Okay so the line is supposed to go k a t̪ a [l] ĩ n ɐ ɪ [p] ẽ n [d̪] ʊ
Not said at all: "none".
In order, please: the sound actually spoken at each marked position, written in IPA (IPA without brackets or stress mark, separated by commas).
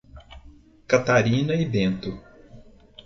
ɾ, b, t̪